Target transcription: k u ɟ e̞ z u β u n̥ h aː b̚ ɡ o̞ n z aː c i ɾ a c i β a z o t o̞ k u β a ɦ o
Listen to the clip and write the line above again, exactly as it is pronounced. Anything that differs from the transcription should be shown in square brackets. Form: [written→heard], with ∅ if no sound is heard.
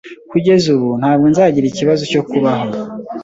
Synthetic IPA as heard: k u ɟ e̞ z u β u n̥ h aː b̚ ɡ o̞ n z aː [c→ɟ] i ɾ [a→i] c i β a z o [t→c] o̞ k u β a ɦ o